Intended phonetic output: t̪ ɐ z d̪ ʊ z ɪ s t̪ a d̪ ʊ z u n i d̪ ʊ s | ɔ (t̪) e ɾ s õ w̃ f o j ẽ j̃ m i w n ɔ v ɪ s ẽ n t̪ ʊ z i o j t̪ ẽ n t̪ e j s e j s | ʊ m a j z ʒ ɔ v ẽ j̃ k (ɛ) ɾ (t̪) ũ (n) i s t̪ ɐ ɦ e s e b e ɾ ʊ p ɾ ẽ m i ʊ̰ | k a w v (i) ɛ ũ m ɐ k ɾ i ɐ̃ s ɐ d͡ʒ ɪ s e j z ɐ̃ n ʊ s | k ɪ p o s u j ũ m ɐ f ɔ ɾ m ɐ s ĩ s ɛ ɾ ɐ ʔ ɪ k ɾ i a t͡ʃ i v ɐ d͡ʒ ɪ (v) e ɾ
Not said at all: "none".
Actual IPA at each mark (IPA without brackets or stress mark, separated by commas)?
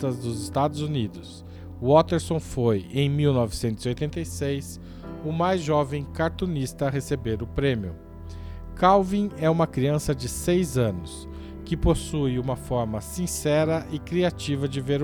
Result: t̪, a, t̪, n, ĩ, v